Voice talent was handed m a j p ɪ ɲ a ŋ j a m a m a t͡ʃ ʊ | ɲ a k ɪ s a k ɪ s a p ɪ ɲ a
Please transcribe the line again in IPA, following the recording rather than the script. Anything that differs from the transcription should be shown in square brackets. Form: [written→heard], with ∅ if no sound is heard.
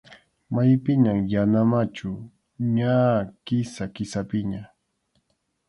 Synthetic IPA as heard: m a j p ɪ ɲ a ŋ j a [m→n] a m a t͡ʃ ʊ | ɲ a k ɪ s a k ɪ s a p ɪ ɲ a